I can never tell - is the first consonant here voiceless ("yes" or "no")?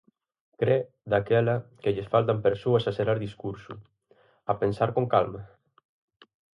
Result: yes